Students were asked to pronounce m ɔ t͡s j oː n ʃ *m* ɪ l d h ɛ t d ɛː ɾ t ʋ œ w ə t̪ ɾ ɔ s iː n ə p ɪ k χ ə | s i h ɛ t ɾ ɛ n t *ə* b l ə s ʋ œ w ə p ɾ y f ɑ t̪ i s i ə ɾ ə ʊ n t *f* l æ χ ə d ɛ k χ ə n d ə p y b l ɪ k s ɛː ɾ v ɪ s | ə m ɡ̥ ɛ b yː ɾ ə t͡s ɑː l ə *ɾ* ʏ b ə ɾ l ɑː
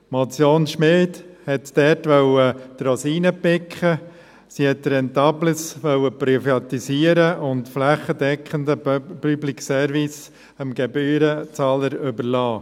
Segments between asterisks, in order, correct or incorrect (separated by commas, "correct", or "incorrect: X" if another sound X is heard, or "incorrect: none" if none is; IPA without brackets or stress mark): correct, incorrect: ɑ, correct, correct